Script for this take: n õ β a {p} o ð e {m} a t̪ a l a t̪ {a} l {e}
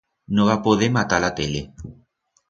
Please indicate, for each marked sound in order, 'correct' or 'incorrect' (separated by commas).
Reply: correct, correct, incorrect, correct